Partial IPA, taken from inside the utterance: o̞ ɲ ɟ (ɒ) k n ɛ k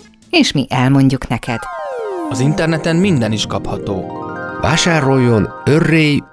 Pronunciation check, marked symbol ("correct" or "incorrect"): incorrect